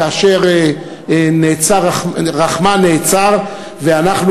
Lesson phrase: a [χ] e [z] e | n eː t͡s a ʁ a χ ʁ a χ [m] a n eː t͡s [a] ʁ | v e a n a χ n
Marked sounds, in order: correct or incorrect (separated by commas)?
incorrect, incorrect, correct, correct